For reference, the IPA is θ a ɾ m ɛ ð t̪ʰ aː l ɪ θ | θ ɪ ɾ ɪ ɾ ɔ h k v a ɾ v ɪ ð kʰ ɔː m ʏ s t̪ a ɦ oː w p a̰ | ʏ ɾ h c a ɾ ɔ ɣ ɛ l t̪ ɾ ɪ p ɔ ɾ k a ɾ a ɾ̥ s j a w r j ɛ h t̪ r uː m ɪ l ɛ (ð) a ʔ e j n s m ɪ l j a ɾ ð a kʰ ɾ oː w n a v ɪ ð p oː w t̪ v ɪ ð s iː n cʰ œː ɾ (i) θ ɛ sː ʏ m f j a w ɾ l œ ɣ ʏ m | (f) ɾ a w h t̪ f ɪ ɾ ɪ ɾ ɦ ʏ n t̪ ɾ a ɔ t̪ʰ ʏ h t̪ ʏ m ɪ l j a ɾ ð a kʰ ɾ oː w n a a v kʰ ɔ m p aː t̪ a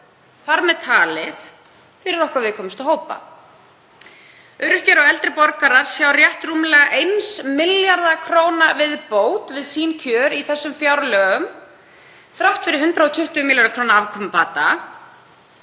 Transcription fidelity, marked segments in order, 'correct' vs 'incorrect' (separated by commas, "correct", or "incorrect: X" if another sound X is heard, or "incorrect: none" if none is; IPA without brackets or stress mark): incorrect: ɣ, correct, incorrect: θ